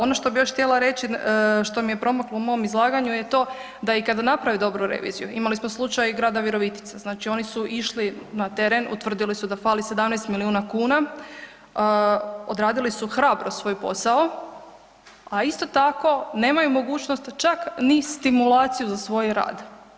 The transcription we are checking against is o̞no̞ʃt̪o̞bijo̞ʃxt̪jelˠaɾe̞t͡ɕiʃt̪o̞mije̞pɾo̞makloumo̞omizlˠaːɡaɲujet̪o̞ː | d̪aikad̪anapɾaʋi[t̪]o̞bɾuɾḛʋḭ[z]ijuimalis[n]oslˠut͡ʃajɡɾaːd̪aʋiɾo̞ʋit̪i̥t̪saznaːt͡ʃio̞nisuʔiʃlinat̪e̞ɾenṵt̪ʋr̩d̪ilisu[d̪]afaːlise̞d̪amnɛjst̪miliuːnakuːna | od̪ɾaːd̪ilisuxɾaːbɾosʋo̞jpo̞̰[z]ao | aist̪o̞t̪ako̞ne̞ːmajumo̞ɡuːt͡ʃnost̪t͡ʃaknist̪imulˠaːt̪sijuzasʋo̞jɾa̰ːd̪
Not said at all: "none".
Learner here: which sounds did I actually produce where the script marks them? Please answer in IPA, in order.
d̪, z, m, d̪, s

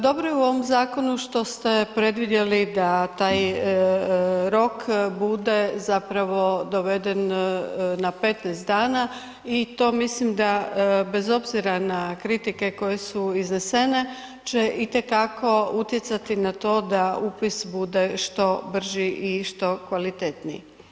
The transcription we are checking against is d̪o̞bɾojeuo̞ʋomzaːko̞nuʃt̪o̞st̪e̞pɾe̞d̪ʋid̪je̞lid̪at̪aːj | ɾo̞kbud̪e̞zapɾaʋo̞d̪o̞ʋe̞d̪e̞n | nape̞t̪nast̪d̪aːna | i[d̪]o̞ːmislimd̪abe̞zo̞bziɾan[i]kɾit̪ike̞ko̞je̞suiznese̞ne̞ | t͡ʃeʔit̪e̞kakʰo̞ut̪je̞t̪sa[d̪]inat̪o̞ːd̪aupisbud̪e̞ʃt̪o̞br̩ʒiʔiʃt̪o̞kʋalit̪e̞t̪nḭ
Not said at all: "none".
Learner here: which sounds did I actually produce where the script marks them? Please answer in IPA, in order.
t̪, a, t̪

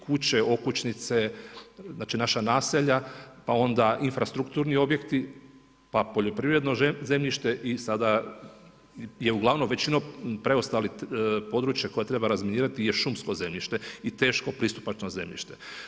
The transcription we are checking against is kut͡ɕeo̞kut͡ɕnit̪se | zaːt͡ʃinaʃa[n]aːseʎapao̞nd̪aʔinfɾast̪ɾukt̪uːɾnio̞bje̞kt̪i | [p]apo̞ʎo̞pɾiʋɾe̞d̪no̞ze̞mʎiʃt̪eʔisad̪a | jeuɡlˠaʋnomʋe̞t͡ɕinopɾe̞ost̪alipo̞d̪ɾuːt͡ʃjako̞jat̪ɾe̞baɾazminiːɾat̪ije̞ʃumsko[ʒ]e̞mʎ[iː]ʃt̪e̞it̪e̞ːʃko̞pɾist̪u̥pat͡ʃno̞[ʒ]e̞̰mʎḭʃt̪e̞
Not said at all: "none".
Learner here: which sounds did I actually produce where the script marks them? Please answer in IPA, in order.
n, p, z, i, z

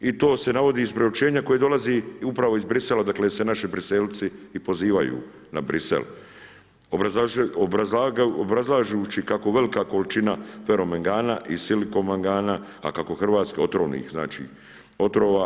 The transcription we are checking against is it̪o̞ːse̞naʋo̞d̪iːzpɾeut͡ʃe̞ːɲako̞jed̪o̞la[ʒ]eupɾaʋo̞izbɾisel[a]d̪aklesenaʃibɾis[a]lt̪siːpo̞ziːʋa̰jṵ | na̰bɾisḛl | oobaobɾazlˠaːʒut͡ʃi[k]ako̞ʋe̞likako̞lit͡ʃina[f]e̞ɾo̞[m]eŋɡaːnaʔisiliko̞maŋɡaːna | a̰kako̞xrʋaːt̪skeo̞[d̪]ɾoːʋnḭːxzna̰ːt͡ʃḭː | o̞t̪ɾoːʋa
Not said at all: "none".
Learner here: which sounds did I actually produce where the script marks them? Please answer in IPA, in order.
z, a, e, k, f, m, t̪

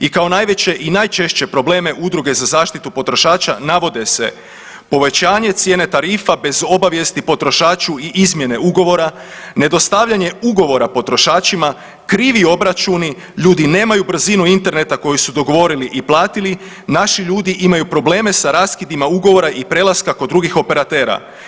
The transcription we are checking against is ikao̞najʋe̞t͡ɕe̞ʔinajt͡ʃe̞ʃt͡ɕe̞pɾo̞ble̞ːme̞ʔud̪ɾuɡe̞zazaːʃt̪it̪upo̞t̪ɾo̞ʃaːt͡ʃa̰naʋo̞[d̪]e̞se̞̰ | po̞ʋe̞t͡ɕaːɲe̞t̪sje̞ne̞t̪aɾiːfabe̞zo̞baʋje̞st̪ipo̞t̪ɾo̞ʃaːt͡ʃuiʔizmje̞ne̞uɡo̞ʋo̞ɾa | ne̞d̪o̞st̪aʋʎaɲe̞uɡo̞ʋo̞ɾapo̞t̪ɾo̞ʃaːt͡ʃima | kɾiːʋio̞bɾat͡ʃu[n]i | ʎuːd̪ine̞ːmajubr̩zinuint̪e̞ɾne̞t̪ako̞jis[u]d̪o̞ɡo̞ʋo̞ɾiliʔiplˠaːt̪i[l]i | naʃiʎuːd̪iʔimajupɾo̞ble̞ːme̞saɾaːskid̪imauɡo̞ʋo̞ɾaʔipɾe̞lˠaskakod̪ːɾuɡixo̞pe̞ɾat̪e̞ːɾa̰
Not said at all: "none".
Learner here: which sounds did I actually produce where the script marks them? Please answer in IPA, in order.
d̪, n, u, l

